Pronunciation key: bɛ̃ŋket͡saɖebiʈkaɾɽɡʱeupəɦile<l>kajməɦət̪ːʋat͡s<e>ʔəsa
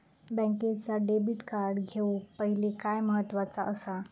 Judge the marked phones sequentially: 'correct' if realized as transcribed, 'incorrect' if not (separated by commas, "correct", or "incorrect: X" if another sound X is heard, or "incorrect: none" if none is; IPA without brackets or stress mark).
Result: incorrect: none, incorrect: a